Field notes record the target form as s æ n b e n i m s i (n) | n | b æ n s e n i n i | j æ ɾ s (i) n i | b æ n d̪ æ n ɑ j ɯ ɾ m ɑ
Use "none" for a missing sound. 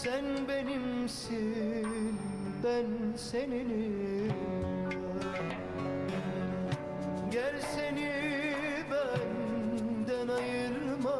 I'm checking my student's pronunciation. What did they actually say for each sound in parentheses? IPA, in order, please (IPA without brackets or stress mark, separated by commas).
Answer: none, e